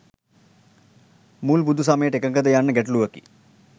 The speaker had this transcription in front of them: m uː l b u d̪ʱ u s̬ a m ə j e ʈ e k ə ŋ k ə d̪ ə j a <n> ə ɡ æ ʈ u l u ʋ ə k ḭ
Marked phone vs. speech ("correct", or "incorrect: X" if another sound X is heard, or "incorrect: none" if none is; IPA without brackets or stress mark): incorrect: nː